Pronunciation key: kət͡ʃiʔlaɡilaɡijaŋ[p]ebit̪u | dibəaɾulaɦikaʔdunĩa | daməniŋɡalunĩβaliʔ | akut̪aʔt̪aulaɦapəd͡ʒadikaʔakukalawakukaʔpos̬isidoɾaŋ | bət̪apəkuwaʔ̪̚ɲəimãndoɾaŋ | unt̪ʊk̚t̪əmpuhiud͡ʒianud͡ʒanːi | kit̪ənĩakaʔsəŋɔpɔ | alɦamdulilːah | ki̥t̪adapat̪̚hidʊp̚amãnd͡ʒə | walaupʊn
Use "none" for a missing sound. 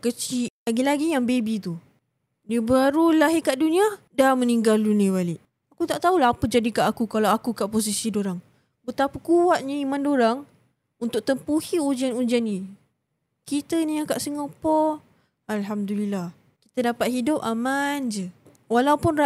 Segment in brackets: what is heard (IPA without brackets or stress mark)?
b